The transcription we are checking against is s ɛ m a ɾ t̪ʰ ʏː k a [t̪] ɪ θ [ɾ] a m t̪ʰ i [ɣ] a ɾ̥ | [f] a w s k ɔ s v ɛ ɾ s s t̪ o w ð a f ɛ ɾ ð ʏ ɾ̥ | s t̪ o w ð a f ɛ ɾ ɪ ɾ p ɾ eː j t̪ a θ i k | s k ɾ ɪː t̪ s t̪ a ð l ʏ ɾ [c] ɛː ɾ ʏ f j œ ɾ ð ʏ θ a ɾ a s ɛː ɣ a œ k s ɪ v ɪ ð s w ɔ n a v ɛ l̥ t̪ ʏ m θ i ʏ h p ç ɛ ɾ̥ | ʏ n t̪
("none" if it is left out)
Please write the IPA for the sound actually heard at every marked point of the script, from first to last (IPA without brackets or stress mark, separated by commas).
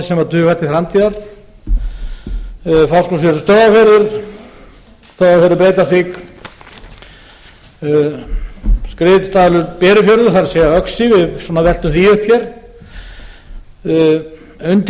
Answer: t̪, ɾ, ð, f, p